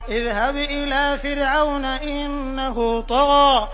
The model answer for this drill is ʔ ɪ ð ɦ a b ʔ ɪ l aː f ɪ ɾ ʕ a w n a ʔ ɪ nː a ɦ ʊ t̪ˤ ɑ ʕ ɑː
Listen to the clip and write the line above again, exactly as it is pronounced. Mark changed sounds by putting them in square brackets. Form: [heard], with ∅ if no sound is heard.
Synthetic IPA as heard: ʔ ɪ ð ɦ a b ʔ ɪ l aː f ɪ ɾ ʕ a w n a ʔ ɪ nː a ɦ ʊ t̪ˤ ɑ [ɣ] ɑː